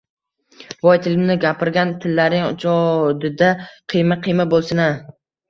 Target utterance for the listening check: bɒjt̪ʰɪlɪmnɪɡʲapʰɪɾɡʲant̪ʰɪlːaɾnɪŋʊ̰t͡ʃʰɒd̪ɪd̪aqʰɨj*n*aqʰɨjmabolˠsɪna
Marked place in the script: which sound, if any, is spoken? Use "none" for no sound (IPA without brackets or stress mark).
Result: m